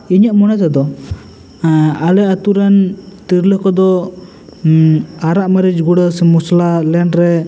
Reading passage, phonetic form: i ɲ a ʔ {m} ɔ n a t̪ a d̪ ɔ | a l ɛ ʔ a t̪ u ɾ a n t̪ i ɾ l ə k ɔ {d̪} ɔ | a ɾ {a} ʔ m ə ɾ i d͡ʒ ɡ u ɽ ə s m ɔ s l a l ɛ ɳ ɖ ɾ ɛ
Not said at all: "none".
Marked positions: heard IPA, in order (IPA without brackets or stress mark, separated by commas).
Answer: m, d̪, a